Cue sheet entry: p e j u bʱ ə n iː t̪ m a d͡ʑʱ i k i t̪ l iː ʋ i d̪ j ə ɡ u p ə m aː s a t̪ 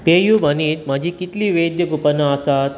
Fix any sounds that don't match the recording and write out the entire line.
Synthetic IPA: p e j u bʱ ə n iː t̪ m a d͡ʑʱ i k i t̪ l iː ʋ e d̪ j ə ɡ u p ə n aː s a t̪